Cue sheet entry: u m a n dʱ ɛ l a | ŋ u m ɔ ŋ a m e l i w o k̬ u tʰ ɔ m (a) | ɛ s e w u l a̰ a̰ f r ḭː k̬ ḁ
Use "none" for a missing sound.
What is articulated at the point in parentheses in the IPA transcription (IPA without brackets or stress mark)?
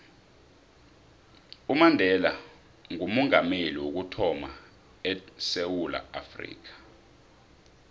a